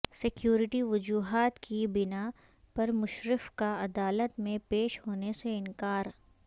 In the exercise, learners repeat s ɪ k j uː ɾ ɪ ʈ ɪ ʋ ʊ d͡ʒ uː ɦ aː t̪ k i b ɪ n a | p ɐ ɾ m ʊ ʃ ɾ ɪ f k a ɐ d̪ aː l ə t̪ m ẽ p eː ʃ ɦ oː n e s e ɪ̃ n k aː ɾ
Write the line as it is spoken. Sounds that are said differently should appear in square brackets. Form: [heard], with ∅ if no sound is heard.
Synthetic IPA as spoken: s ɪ k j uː ɾ ɪ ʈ [i] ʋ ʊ d͡ʒ uː ɦ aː t̪ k i b ɪ n a | p ɐ ɾ m ʊ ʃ ɾ ɪ f k a ɐ d̪ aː l ə t̪ m ẽ p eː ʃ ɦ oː n e s e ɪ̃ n k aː ɾ